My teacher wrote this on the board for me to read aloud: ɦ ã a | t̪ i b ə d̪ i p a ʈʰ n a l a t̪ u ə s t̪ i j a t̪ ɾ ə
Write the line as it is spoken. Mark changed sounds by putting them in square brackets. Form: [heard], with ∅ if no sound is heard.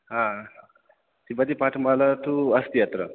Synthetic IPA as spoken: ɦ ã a | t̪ i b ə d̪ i p a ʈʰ [m] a l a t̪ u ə s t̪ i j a t̪ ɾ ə